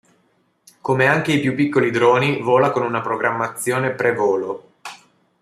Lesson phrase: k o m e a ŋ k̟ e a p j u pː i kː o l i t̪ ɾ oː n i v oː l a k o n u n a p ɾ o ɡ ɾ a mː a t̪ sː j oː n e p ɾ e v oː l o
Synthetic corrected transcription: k o m e a ŋ k̟ e i p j u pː i kː o l i d̪ ɾ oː n i v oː l a k o n u n a p ɾ o ɡ ɾ a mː a t̪ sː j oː n e p ɾ e v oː l o